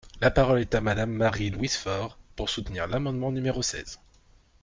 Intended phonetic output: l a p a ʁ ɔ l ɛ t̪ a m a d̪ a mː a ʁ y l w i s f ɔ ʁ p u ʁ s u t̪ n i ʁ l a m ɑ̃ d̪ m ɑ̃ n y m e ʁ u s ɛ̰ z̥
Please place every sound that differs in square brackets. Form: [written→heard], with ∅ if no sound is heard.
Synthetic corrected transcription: l a p a ʁ ɔ l ɛ t̪ a m a d̪ a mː a ʁ [y→i] l w i s f ɔ ʁ p u ʁ s u t̪ n i ʁ l a m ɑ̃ d̪ m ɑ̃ n y m e ʁ [u→o] s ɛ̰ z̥